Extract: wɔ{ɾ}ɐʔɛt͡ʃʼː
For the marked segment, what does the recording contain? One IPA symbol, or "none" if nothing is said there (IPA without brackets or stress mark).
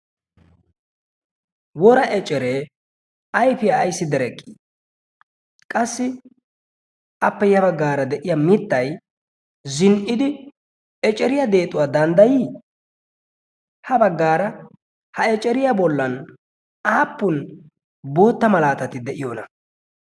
ɾ